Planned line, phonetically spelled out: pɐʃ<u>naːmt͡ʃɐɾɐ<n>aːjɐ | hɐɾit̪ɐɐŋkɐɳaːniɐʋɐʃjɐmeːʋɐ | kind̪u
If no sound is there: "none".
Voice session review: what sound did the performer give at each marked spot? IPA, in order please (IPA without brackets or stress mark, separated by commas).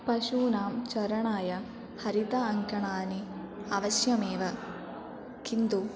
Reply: uː, ɳ